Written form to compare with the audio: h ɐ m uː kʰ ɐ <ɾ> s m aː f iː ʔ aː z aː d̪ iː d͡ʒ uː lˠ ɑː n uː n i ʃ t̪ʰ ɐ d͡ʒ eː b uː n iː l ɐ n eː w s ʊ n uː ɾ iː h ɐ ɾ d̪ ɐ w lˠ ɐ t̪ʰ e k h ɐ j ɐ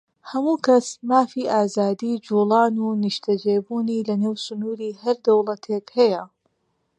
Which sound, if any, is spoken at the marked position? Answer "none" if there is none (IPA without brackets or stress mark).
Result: none